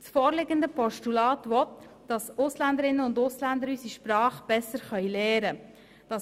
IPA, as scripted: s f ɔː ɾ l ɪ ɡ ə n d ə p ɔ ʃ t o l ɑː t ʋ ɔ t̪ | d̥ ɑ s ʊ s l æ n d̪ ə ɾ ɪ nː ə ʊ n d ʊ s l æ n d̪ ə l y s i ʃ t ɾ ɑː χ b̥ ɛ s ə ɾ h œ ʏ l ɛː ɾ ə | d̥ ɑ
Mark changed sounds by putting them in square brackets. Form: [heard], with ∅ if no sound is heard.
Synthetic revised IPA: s f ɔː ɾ l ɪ ɡ ə n d ə p ɔ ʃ t [u] l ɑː t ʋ ɔ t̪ | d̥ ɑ s ʊ s l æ n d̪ ə ɾ ɪ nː ə ʊ n d ʊ s l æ n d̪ ə [ɾ] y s i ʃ [p] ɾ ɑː χ b̥ ɛ s ə ɾ [χ] œ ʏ l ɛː ɾ ə | d̥ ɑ